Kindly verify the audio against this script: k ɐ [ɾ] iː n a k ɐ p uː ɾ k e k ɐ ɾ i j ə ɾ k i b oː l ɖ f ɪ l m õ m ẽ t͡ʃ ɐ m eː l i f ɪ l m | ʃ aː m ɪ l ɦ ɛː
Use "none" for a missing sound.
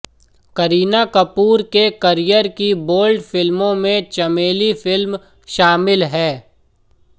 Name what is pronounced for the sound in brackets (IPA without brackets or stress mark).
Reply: ɾ